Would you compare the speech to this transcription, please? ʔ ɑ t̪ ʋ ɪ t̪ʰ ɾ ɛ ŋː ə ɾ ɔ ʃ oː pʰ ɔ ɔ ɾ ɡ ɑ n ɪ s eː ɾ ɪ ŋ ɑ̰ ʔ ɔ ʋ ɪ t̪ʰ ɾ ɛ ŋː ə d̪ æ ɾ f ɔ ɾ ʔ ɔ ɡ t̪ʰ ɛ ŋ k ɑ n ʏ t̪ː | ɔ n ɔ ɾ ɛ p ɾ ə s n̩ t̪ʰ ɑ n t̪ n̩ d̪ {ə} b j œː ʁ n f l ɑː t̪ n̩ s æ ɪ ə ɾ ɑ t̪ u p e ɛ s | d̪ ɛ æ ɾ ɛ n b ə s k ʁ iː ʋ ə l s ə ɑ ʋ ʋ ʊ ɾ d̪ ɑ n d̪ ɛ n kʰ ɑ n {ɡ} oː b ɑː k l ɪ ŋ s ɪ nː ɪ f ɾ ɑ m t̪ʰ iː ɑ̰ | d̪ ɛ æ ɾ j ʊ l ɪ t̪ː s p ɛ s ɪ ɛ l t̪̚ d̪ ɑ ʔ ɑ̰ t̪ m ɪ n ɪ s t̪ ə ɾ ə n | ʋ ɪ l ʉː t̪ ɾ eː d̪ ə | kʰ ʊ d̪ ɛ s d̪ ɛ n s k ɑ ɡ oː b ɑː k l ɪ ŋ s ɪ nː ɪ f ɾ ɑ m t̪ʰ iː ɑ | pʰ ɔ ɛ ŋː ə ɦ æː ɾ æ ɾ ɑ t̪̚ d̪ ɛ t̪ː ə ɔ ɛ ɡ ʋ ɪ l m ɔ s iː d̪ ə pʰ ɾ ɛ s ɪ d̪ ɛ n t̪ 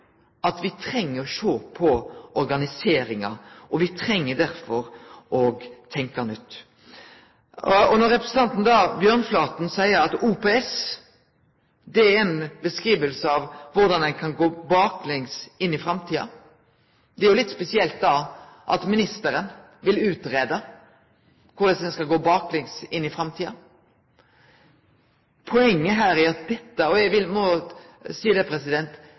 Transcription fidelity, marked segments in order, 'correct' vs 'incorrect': incorrect: ɑ, correct

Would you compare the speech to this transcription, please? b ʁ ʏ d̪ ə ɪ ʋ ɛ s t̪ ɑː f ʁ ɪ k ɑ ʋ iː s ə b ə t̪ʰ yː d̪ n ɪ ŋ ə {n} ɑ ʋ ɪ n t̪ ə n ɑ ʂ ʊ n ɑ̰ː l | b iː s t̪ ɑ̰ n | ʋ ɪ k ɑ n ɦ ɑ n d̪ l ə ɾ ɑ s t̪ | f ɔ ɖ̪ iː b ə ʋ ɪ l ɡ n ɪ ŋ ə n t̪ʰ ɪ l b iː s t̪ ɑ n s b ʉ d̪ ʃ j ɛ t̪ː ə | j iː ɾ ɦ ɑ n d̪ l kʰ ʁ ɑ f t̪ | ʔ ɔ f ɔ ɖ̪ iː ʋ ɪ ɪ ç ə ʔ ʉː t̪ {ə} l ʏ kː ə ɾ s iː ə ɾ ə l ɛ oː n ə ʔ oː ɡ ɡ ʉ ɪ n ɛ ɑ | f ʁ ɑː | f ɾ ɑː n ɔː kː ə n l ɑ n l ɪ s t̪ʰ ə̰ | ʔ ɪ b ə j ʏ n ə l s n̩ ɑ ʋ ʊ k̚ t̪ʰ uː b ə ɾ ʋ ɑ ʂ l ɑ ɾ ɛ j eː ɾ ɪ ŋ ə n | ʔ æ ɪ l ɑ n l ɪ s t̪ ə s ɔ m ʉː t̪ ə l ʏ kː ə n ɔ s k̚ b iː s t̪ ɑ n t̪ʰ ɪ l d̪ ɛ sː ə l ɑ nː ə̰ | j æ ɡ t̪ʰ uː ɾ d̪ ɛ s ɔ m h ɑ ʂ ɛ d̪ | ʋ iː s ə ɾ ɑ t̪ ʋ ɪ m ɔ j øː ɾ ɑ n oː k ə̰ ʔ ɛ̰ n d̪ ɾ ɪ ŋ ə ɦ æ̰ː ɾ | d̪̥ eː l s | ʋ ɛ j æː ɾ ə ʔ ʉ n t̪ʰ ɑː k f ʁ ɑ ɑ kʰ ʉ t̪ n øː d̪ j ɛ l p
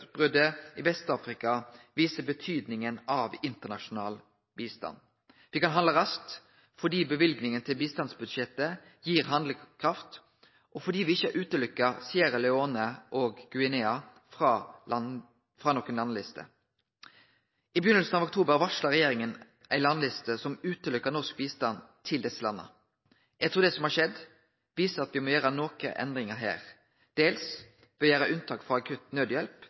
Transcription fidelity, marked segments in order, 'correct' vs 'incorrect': correct, correct

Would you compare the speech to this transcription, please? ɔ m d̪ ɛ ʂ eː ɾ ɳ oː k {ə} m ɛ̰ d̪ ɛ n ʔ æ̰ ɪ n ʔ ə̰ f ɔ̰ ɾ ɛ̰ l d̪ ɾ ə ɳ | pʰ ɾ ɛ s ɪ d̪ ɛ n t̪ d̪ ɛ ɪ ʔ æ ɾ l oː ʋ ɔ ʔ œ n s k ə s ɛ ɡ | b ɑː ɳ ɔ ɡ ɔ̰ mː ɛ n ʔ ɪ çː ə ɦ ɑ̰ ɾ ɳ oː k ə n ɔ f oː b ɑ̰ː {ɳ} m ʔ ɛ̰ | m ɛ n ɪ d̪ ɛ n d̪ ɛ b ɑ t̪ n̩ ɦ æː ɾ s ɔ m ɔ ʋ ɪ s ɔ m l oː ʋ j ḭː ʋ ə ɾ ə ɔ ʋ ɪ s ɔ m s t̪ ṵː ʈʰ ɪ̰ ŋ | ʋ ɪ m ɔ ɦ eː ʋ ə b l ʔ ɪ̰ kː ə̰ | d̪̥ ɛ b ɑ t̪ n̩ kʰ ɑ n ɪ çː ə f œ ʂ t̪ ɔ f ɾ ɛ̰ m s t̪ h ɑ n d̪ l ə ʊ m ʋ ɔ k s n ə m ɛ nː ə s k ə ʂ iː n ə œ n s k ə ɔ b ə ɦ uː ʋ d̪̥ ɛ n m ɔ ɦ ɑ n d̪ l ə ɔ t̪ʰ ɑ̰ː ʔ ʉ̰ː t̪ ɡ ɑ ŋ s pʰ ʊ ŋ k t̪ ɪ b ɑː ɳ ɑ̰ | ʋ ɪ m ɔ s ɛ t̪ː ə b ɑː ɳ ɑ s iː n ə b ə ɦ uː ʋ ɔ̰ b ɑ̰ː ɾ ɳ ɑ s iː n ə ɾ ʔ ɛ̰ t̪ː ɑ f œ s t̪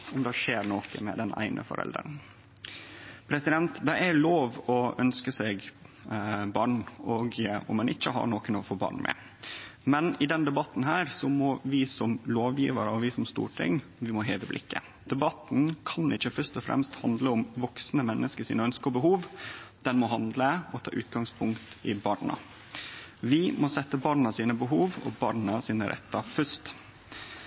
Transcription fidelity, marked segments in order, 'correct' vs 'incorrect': correct, correct

